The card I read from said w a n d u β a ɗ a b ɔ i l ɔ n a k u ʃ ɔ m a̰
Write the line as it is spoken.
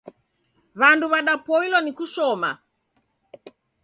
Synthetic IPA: β a n d u β a ɗ a p ɔ i l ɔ n i k u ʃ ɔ m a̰